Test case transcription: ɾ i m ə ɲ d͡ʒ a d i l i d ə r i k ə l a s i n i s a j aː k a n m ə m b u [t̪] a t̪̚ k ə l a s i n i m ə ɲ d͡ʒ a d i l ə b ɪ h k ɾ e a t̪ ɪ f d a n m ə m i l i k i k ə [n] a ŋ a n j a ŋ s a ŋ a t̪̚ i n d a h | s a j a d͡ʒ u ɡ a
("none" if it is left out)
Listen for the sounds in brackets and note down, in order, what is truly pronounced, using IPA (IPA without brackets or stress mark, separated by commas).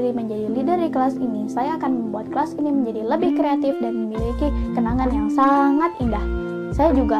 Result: none, n